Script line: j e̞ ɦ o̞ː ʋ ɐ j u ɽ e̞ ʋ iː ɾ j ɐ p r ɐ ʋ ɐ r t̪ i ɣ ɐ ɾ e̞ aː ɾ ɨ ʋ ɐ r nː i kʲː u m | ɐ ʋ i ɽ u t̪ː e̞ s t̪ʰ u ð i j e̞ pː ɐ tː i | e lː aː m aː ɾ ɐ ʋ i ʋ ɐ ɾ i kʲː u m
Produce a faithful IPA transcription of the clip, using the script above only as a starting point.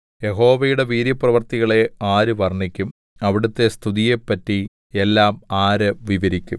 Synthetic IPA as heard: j e̞ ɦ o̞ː ʋ ɐ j u ɽ e̞ ʋ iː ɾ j ɐ p r ɐ ʋ ɐ r t̪ i ɣ ɐ ɭ e̞ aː ɾ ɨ ʋ ɐ r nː i kʲː u m | ɐ ʋ i ɽ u t̪ː e̞ s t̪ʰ u ð i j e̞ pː ɐ tː i | e lː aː m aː ɾ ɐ ʋ i ʋ ɐ ɾ i kʲː u m